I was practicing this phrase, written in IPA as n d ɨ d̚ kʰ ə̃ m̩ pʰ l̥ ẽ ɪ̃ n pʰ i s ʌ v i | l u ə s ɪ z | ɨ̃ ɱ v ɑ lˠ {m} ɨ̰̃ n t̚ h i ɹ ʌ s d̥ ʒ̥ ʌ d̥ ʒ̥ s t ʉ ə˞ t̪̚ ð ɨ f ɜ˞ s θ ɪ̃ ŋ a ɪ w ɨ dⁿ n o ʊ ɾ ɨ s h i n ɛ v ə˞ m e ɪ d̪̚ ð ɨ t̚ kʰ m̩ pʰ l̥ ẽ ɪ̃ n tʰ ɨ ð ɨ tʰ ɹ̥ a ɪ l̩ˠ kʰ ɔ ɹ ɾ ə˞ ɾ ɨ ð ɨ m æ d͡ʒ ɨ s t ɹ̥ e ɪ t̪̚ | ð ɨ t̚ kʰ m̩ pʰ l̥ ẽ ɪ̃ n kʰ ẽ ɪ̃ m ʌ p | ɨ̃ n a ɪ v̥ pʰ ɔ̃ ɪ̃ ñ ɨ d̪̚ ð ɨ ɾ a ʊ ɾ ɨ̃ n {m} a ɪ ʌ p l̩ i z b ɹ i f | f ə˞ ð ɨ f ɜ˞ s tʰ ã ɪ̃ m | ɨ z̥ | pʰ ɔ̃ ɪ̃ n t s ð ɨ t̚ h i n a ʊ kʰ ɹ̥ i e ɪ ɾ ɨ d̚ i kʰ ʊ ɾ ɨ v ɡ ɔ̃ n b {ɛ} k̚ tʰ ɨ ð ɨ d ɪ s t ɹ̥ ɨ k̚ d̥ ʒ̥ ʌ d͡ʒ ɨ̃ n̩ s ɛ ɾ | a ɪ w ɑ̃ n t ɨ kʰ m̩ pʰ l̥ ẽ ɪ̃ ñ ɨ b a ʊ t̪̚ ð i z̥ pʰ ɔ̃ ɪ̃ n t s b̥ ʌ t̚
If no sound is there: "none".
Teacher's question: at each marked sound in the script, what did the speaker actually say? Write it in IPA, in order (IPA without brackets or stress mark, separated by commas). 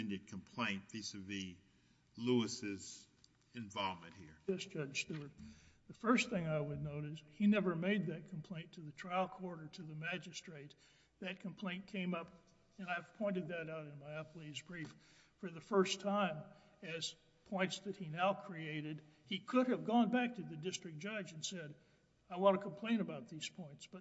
m, m, æ